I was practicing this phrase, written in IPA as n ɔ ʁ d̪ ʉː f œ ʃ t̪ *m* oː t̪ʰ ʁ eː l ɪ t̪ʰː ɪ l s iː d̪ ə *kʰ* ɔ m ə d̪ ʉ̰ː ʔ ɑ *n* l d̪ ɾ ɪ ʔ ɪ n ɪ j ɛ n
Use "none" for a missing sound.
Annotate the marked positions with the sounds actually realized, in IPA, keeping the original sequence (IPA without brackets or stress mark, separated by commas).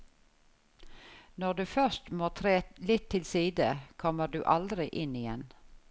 m, kʰ, none